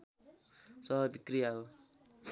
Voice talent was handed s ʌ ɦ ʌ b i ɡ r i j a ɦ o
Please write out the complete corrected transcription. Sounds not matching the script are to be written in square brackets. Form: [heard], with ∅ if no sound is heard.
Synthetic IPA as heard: s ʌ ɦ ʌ b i [k] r i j a ɦ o